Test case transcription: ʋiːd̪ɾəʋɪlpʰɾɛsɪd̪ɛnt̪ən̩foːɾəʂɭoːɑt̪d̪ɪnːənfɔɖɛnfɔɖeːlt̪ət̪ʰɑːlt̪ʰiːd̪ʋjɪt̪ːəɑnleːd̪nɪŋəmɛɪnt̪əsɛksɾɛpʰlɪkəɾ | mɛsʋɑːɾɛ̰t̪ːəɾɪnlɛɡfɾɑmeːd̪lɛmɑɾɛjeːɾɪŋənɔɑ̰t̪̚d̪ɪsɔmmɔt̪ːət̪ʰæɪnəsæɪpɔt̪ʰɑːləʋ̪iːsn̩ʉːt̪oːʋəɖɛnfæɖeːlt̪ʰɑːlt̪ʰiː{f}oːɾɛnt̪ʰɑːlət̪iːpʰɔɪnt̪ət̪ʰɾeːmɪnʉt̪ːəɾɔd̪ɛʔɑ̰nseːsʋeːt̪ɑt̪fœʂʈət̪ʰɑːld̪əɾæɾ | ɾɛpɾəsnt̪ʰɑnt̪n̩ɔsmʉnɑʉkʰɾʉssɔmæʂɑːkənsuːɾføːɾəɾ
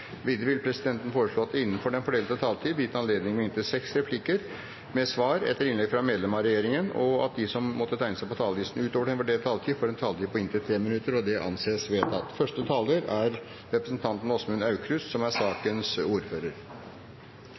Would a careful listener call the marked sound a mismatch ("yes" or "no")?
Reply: no